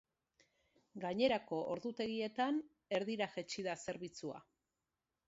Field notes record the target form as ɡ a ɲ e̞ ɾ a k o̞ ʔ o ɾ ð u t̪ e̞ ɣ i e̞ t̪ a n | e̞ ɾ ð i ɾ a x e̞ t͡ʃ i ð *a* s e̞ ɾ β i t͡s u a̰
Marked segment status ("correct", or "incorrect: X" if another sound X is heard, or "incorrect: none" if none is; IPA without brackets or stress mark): correct